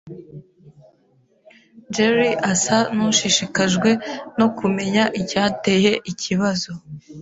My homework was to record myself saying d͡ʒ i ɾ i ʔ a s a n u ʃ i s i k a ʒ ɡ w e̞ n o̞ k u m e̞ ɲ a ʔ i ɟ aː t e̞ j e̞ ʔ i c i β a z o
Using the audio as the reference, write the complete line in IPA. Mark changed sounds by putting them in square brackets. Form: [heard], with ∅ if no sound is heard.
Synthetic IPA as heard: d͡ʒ [e] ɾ i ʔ a s a n u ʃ i [ʃ] i k a ʒ ɡ w e̞ n o̞ k u m e̞ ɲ a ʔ i [c] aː t e̞ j e̞ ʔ i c i β a z o